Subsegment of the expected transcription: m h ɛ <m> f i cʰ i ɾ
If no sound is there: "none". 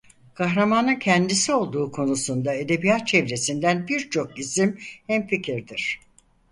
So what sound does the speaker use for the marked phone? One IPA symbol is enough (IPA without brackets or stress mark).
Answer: m